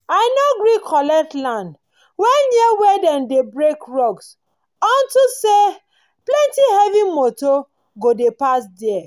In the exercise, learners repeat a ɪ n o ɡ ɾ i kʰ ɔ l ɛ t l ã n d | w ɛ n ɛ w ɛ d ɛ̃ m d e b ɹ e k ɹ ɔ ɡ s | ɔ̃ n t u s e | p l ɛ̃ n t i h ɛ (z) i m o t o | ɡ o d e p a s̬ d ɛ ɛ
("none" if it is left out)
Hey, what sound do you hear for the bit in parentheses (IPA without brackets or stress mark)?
v